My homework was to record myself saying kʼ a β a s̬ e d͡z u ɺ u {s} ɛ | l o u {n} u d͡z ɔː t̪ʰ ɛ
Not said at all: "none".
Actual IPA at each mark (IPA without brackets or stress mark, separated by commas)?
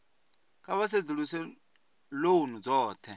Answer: s, n